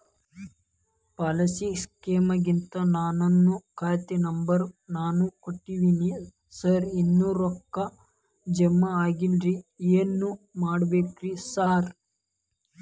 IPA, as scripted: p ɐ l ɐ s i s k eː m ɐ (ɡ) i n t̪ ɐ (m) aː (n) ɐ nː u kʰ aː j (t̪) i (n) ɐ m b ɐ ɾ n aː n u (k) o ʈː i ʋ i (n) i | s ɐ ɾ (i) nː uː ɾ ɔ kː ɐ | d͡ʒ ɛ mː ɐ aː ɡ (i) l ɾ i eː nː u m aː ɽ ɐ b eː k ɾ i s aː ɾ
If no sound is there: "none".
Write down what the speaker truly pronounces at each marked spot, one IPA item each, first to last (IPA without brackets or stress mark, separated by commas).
ɡ, n, n, t̪, n, k, n, i, i